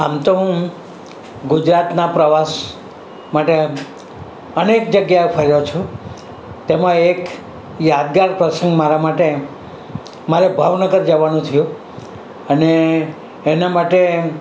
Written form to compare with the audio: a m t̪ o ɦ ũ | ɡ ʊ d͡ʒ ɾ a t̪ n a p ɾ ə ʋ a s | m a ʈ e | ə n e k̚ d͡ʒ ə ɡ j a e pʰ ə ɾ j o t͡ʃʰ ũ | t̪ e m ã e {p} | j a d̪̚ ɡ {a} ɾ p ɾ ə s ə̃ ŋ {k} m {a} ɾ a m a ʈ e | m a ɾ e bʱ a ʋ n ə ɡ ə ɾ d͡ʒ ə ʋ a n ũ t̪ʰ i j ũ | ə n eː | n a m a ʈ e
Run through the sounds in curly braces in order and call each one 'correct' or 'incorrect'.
incorrect: k, correct, incorrect: ɡ, correct

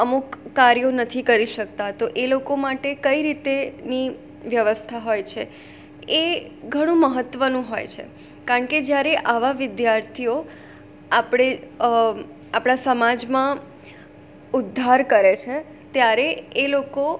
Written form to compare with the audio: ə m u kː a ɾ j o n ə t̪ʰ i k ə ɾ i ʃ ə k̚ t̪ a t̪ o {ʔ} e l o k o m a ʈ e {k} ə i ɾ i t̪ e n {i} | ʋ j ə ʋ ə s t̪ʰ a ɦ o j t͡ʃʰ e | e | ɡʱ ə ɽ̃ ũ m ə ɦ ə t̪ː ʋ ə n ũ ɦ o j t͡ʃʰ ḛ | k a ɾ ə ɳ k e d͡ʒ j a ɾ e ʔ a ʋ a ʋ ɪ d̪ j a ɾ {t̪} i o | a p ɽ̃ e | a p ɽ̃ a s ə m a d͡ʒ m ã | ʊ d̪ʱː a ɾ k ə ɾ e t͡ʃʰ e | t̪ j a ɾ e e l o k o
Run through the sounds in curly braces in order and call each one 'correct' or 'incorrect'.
correct, correct, correct, incorrect: t̪ʰ

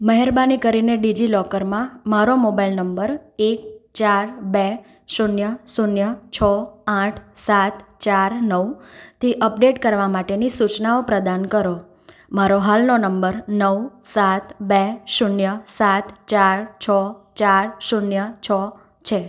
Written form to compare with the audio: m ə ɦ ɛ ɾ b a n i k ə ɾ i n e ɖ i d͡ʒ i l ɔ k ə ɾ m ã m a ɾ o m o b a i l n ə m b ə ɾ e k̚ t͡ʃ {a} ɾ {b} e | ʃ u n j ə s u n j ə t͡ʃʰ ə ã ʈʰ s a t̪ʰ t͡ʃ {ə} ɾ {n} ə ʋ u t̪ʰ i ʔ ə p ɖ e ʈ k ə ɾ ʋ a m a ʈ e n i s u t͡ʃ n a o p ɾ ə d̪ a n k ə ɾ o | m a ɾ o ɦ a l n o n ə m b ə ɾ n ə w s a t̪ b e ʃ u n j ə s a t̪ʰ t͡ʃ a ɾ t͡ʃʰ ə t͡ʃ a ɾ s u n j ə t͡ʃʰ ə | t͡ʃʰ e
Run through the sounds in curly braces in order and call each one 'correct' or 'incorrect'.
correct, correct, incorrect: a, correct

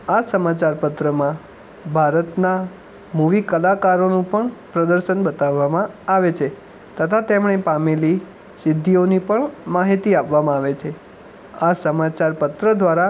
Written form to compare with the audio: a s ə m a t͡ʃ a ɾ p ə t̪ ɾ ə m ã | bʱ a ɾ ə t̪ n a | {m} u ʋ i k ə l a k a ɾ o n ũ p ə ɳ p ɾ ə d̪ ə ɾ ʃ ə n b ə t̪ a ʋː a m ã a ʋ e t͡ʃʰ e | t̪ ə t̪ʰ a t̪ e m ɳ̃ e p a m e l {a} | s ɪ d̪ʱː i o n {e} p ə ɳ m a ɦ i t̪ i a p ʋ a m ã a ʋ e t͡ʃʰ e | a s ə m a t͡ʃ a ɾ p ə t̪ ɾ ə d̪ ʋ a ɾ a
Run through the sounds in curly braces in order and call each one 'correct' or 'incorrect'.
correct, incorrect: i, incorrect: i

